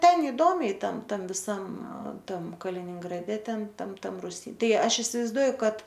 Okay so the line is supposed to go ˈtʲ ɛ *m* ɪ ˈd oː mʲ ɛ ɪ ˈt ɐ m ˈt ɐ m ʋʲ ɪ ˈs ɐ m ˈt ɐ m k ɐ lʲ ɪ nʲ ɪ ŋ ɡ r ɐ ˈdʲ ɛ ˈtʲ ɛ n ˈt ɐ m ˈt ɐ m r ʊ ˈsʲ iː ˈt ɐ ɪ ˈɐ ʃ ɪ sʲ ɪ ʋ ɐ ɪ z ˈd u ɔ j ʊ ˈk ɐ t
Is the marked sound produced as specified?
no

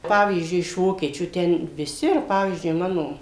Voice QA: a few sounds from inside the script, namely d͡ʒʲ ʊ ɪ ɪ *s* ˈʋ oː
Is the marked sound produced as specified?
no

